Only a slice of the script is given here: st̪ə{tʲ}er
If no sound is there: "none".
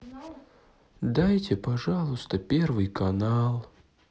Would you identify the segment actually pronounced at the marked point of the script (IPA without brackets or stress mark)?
pʲ